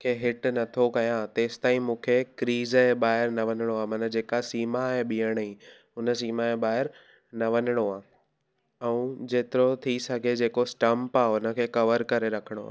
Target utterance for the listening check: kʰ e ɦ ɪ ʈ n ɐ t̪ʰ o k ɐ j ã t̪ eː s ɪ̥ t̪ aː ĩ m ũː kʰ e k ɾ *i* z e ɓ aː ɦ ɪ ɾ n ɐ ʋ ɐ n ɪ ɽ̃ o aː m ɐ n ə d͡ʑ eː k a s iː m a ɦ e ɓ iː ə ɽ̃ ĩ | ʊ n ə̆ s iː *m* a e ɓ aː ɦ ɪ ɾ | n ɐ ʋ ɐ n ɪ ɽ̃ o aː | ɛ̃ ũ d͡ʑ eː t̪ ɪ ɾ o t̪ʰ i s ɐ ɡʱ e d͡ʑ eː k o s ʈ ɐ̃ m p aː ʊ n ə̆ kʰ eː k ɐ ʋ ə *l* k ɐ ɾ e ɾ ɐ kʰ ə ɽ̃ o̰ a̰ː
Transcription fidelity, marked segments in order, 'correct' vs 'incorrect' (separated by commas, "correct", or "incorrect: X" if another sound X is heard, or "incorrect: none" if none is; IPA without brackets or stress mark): incorrect: iː, correct, incorrect: ɾ